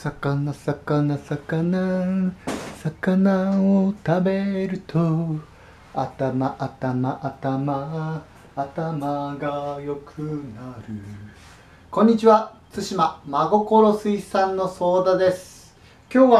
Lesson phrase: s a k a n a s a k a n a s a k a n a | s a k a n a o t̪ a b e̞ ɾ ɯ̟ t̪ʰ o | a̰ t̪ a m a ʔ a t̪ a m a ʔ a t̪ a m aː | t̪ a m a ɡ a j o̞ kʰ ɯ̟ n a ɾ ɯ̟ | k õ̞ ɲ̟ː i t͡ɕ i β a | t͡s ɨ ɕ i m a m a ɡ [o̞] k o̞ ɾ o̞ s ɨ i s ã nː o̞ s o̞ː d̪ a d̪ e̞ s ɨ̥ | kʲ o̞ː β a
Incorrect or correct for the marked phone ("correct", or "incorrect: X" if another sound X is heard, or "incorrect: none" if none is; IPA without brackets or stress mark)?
correct